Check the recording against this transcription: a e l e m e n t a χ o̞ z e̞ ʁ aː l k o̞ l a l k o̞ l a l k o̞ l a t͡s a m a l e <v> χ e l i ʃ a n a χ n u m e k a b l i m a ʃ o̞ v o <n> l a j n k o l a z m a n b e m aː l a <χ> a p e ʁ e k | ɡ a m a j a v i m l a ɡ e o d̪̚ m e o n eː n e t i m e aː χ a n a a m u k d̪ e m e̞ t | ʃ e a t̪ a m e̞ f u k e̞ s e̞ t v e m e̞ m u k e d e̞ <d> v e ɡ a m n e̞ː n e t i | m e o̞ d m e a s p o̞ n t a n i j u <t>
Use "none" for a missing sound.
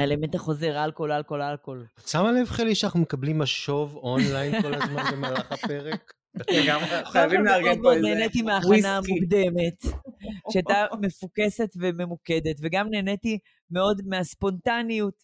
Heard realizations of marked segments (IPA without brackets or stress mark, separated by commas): v, n, χ, t, t